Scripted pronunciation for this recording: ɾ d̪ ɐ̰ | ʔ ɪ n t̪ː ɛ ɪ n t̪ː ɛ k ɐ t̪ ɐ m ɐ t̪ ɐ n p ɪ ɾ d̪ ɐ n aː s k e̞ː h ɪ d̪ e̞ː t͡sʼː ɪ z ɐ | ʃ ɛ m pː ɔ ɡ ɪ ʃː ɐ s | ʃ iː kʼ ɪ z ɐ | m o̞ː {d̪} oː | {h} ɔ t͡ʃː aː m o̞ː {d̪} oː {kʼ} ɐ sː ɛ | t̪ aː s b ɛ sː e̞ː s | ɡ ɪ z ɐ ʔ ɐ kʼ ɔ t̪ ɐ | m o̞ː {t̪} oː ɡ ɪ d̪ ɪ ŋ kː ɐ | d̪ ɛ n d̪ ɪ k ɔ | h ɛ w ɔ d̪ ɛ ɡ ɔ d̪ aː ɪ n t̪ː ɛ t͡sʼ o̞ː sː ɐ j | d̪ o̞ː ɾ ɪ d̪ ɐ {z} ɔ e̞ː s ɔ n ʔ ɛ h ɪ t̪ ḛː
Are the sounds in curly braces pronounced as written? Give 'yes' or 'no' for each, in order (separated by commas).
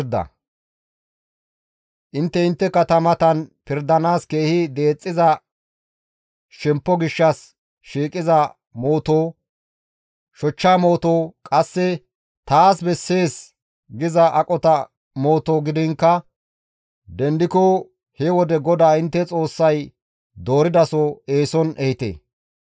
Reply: no, no, no, yes, yes, no